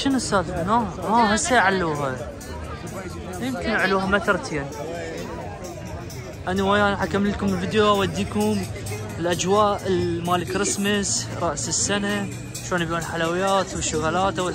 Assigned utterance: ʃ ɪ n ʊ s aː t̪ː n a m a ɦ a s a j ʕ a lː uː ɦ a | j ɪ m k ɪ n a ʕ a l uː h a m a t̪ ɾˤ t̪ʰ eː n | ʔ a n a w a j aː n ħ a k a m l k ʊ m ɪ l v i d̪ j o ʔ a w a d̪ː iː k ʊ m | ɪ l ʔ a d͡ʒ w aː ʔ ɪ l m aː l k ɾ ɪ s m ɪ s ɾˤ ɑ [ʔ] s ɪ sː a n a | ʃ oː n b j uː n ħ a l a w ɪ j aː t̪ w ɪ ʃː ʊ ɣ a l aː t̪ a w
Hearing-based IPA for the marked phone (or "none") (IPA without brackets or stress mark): ʔ